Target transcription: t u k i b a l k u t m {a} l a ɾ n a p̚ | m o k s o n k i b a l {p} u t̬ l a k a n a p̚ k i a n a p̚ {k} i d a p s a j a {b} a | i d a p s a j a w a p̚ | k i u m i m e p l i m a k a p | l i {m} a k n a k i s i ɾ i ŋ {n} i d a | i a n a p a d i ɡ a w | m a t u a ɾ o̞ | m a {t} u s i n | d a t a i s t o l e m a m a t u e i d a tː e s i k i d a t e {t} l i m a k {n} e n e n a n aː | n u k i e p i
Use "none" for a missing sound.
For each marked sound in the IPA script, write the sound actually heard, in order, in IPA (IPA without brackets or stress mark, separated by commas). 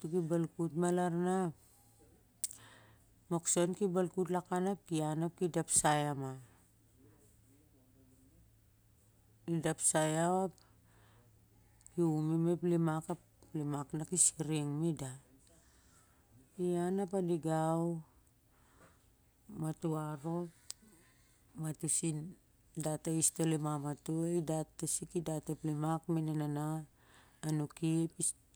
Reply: a, k, k, m, m, m, t, p, m